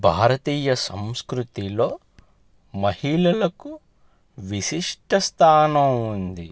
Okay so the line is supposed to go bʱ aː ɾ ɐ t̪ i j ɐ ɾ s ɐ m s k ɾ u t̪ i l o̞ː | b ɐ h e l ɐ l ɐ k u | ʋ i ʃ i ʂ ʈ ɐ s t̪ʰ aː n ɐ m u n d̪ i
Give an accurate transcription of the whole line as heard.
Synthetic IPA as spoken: bʱ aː ɾ ɐ t̪ iː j ɐ s ɐ m s k ɾ u t̪ i l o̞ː | m ɐ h i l ɐ l ɐ k u | ʋ i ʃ i ʂ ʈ ɐ s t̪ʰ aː n ɐ m u n d̪ i